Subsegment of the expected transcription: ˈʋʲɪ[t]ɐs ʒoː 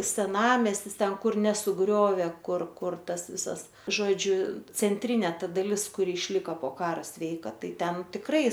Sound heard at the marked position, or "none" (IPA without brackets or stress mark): s